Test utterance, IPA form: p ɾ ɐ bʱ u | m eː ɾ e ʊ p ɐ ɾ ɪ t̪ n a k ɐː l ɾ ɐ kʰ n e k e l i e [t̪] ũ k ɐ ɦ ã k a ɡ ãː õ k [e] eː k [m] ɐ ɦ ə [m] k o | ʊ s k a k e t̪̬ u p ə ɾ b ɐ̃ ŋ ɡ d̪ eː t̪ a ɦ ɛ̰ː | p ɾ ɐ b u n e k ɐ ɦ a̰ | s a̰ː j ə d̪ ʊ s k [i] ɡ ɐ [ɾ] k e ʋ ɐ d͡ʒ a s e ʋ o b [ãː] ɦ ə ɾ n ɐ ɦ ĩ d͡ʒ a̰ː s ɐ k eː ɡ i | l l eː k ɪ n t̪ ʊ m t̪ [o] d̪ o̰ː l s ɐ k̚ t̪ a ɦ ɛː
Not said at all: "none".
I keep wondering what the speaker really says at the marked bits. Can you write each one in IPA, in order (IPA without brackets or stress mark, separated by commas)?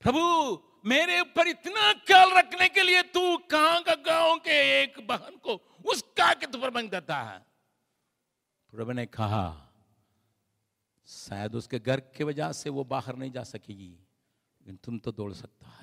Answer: t̪, e, b, n, e, ɾ, aː, o